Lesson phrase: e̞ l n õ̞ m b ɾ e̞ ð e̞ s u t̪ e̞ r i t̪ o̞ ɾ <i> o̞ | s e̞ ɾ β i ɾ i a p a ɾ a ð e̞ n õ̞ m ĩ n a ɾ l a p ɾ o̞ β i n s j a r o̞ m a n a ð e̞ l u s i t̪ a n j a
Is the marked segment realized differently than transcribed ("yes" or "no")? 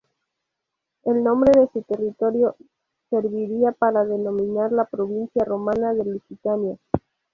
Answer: yes